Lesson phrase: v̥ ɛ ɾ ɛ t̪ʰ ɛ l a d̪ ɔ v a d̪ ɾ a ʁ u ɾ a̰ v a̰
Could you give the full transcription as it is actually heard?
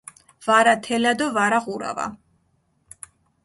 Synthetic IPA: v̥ a ɾ a t̪ʰ ɛ l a d̪ ɔ v a ɾ a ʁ u ɾ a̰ v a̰